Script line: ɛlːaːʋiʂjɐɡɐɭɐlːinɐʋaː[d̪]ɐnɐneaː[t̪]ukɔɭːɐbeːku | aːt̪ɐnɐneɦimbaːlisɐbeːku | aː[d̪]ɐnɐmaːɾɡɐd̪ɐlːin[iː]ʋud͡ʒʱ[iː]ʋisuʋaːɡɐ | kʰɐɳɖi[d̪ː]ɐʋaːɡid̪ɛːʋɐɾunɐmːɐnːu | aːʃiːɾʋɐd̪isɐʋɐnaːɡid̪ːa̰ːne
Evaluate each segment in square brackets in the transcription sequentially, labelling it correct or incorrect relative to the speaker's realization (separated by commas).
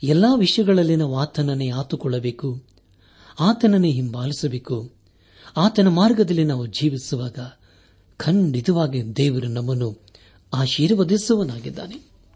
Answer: incorrect, correct, incorrect, incorrect, correct, incorrect